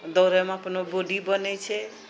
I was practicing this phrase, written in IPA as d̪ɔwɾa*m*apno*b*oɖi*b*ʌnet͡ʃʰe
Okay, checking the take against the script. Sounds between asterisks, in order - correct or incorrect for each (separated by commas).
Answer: correct, correct, correct